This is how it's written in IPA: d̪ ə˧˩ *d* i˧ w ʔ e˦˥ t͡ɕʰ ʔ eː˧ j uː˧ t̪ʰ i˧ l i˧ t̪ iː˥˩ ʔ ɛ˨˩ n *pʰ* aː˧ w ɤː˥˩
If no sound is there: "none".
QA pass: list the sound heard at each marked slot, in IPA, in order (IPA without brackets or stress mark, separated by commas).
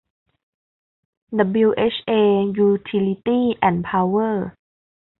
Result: b, pʰ